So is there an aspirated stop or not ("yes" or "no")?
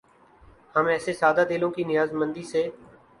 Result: no